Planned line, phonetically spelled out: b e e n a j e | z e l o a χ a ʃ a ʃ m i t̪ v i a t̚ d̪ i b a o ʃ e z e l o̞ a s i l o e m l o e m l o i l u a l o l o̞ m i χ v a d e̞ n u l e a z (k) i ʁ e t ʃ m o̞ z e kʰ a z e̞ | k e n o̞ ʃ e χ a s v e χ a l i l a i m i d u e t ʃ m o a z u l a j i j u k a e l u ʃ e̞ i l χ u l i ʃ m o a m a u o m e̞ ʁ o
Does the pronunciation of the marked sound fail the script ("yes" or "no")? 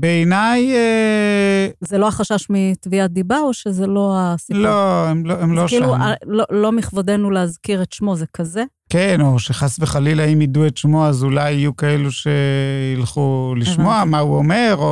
no